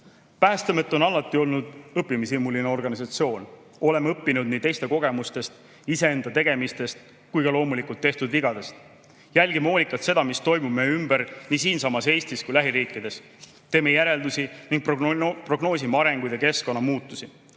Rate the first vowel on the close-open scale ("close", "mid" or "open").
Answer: open